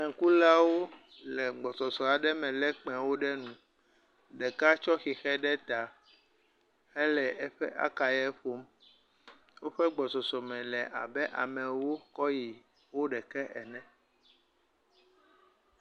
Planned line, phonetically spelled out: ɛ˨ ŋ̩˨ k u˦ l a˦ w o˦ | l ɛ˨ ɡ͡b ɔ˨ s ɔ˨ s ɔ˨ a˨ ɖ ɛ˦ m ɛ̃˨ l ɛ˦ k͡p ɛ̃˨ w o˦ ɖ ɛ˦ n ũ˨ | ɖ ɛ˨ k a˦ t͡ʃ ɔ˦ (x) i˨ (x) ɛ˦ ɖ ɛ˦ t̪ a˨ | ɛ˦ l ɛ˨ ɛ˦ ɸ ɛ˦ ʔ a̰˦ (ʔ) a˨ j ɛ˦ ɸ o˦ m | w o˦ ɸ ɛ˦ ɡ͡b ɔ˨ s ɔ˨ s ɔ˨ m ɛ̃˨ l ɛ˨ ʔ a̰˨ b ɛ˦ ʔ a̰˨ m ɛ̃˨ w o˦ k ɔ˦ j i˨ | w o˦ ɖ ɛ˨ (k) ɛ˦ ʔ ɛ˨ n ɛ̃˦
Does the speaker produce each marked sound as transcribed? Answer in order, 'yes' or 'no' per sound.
yes, yes, no, yes

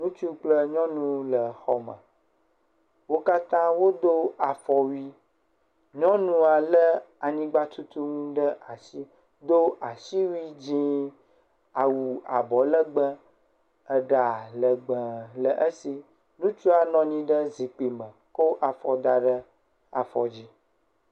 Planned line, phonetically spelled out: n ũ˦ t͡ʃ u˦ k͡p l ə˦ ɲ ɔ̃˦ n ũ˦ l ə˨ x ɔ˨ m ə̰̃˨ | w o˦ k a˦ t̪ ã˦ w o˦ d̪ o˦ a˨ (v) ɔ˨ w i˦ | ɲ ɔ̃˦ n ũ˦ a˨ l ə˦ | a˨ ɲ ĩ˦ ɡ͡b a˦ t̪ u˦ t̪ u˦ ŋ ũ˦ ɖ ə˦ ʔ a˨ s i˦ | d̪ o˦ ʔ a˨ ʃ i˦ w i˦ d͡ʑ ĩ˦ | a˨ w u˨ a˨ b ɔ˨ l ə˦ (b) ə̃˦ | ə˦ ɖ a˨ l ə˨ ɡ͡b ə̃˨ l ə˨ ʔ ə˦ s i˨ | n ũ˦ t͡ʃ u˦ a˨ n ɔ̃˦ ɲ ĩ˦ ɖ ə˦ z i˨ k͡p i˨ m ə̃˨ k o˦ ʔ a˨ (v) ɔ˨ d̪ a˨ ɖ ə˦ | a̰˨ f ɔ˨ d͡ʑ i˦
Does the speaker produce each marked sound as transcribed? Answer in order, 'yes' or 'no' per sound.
no, no, no

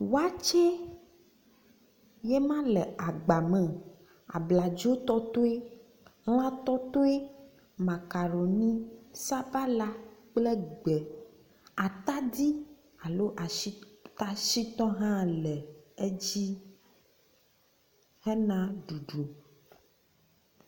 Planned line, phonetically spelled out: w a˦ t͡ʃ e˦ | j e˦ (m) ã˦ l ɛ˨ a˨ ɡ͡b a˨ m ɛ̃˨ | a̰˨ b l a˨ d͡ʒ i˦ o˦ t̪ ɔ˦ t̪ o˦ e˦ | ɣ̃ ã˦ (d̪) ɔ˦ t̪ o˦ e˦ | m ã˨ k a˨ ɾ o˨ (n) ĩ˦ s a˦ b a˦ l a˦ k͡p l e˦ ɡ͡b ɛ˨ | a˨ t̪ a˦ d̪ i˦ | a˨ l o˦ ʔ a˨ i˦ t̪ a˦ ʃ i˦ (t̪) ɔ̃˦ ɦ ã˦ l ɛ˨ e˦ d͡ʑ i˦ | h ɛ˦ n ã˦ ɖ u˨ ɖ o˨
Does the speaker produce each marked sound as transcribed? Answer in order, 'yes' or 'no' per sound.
yes, no, yes, yes

